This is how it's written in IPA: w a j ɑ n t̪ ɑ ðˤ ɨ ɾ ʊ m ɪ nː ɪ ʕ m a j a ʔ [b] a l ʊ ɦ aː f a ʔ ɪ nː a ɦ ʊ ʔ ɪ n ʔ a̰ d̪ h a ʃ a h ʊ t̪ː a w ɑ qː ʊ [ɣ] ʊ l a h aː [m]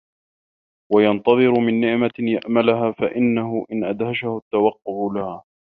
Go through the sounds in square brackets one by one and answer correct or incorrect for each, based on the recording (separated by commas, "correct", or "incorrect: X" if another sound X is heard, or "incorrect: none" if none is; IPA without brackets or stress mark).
incorrect: m, incorrect: ʕ, incorrect: none